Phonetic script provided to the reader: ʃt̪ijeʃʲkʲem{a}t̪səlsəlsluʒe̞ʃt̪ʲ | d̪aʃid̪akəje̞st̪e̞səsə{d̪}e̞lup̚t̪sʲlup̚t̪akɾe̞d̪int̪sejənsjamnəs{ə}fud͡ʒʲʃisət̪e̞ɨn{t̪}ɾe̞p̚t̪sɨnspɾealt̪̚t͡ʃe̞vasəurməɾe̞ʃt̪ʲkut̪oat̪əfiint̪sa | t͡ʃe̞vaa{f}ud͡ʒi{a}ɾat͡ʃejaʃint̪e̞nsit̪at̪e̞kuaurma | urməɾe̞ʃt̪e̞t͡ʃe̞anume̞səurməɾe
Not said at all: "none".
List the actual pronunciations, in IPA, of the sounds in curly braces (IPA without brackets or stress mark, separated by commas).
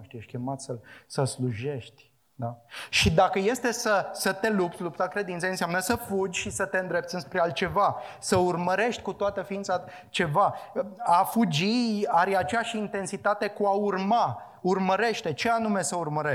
a, t̪, ə, d̪, f, a